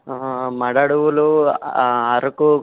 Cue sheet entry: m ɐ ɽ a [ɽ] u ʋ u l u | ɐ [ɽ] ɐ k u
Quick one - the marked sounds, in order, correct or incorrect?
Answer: correct, incorrect

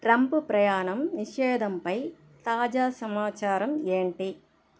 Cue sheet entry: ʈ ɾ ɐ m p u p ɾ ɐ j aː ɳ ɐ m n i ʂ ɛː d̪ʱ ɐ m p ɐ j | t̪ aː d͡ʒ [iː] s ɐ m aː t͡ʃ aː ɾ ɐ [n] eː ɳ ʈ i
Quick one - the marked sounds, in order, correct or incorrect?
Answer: incorrect, incorrect

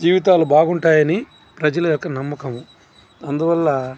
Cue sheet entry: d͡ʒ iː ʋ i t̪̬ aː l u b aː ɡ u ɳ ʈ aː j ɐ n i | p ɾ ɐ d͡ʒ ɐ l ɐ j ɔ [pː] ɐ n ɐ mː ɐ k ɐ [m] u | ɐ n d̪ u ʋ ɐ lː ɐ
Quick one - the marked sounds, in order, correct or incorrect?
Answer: incorrect, correct

